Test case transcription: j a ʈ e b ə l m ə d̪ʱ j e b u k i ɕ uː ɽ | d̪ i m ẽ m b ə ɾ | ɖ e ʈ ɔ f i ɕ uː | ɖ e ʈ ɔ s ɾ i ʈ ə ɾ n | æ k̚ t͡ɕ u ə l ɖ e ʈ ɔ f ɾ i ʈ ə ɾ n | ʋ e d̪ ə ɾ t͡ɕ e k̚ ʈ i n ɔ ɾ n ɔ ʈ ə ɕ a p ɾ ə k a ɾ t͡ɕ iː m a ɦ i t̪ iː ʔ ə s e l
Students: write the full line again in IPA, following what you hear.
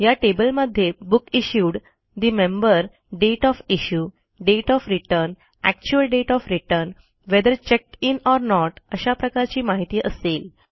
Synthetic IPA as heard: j a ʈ e b ə l m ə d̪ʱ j e b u k i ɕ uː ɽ | d̪ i m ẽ m b ə ɾ | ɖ e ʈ ɔ f i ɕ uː | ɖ e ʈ ɔ f ɾ i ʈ ə ɾ n | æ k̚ t͡ɕ u ə l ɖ e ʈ ɔ f ɾ i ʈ ə ɾ n | ʋ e d̪ ə ɾ t͡ɕ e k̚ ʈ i n ɔ ɾ n ɔ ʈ ə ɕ a p ɾ ə k a ɾ t͡ɕ iː m a ɦ i t̪ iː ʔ ə s e l